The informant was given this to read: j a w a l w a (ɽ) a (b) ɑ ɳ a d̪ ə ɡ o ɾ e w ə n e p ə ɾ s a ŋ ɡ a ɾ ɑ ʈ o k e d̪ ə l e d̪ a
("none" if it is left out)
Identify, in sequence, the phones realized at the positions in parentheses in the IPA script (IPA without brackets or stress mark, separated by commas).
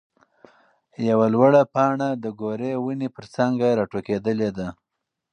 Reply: ɽ, p